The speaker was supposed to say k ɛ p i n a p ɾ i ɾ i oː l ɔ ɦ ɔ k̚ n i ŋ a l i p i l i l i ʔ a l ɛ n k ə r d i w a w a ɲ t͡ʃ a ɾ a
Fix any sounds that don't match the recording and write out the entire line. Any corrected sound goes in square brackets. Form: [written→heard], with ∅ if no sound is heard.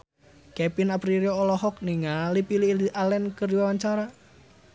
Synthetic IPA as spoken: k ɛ p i n a p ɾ i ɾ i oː l ɔ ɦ ɔ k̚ n i ŋ a l i p i l i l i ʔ a l ɛ n k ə r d i w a w a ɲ t͡ʃ a ɾ a